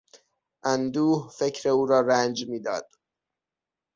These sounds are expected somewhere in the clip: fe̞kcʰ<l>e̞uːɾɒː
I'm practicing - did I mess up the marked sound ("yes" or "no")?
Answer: yes